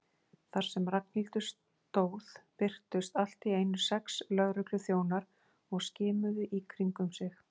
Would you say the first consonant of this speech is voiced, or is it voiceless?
voiceless